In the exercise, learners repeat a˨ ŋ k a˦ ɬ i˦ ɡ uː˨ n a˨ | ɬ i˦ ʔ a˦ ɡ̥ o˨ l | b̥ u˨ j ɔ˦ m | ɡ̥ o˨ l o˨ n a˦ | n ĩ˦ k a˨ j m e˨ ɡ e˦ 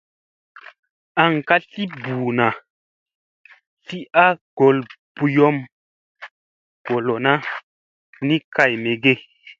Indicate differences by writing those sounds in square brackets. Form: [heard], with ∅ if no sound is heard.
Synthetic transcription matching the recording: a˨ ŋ k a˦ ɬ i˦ [b] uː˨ n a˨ | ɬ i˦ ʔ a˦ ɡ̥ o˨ l | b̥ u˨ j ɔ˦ m | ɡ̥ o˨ l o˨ n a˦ | n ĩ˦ k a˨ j m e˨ ɡ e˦